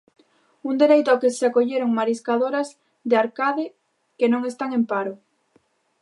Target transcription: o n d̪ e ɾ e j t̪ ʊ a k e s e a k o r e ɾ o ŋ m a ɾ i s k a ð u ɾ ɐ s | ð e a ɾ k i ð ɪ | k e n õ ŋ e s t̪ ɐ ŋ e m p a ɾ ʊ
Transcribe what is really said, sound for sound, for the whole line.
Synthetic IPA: u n d̪ e ɾ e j t̪ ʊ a k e s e a k o ʎ e ɾ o ŋ m a ɾ i s k a ð o ɾ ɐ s | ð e a ɾ k a ð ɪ | k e n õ ŋ e s t̪ a ŋ e m p a ɾ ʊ